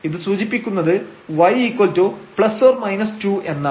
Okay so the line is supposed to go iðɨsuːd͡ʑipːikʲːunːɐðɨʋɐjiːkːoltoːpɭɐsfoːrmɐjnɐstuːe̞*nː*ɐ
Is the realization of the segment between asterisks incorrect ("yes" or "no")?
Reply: no